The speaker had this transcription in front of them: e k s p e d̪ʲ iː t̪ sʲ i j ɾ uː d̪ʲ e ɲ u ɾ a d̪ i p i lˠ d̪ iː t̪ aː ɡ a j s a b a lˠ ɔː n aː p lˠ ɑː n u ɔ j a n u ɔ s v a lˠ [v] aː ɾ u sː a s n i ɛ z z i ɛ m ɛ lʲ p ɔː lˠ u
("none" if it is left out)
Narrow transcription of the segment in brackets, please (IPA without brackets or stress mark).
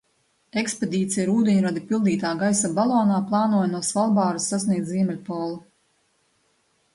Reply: b